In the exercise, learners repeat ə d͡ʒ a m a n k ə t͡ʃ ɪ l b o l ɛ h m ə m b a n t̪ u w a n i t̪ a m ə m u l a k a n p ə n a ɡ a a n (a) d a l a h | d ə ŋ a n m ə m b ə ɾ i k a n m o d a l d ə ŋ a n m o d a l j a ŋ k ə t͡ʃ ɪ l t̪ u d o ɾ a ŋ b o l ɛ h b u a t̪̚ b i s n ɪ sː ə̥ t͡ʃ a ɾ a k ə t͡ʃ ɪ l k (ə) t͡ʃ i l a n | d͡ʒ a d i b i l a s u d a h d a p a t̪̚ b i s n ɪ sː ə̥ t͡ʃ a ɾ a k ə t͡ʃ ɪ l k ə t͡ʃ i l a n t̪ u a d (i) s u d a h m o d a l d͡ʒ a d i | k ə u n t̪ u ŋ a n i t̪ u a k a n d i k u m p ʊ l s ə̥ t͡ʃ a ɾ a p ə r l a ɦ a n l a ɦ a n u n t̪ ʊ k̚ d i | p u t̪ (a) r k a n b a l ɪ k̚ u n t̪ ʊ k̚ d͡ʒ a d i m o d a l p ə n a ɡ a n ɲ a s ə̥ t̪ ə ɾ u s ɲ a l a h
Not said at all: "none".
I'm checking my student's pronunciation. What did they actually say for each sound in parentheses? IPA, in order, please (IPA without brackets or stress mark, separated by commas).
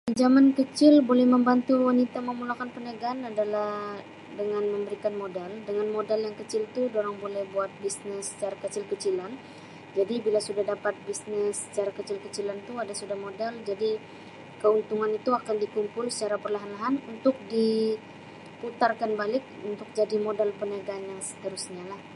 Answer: a, ə, a, a